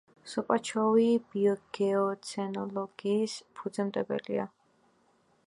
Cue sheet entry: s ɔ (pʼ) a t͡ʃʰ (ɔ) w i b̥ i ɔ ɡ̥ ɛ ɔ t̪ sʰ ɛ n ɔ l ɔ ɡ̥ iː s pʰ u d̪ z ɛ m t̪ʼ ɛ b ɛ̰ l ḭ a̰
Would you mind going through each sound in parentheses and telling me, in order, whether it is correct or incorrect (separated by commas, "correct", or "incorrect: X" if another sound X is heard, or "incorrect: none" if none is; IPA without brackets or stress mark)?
correct, correct